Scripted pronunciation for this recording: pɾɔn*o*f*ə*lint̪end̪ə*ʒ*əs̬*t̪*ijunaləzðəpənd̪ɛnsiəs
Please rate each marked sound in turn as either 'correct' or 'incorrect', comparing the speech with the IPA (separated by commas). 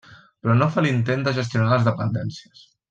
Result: correct, incorrect, correct, correct